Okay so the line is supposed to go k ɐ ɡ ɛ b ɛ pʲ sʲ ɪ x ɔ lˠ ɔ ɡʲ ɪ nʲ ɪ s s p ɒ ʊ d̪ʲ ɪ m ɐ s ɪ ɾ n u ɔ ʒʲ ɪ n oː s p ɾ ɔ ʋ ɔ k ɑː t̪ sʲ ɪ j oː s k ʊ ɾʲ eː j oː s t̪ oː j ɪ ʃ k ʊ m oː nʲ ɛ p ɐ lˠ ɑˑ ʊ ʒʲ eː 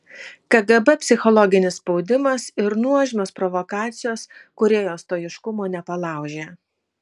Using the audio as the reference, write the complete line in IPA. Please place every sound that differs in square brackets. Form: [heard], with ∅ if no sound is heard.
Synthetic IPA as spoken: k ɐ ɡ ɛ b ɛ pʲ sʲ ɪ x ɔ lˠ ɔ ɡʲ ɪ nʲ ɪ s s p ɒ ʊ d̪ʲ ɪ m ɐ s ɪ ɾ n u ɔ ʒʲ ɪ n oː s p ɾ ɔ ʋ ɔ k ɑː t̪ sʲ ɪ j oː s k ʊ ɾʲ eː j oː s t̪ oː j ɪ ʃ k ʊ m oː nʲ ɛ p ɐ lˠ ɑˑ ʊ ʒʲ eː